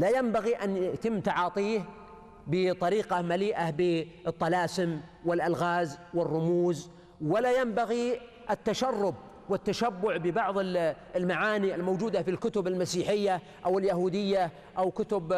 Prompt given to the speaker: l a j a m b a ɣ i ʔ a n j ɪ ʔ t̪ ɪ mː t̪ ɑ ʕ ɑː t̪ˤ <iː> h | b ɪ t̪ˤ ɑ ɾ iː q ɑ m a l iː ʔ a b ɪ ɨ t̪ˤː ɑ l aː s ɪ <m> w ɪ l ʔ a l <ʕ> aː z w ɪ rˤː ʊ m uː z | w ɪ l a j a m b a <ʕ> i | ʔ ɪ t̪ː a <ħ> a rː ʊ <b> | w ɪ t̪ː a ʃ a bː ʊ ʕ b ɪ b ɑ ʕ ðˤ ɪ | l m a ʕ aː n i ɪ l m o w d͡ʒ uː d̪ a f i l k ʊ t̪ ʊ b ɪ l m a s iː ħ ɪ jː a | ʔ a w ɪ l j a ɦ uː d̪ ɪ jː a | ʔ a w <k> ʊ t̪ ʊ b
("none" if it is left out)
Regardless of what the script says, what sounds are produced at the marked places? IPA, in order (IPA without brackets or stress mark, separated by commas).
iː, m, ɣ, ɣ, ʃ, b, k